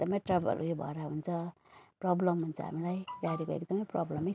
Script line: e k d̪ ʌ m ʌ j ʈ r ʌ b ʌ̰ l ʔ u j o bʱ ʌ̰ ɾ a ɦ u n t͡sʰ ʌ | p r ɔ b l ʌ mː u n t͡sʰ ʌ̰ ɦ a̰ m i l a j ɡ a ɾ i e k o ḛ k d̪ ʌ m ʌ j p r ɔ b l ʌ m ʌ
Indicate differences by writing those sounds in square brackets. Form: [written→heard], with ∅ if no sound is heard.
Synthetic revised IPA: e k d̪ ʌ m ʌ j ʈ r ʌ b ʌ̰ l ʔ u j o bʱ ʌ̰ ɾ a ɦ u n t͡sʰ ʌ | p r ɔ b l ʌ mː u n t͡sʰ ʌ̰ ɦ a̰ m i l a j ɡ a ɾ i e k o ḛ k d̪ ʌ m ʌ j p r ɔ b l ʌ m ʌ